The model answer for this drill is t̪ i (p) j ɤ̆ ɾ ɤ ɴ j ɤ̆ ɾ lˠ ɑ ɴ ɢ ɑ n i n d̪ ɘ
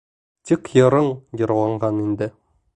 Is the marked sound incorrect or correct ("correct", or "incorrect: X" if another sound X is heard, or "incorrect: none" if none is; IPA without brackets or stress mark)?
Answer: incorrect: k